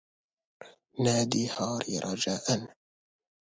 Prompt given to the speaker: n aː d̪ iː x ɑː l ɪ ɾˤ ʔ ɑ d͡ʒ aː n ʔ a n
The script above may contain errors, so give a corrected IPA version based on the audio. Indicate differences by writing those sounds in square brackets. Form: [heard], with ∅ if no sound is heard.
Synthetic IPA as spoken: n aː d̪ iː [h] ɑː [ɾ] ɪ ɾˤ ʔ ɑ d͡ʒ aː [∅] ʔ a n